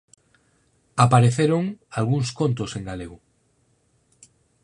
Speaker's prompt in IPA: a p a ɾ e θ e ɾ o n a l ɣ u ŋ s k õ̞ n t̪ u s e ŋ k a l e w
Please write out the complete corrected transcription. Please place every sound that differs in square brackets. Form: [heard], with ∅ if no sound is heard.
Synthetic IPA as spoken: a p a ɾ e θ e ɾ o [ŋ] a l ɣ u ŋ s k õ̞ n t̪ [o] s e ŋ [ɡ] a l e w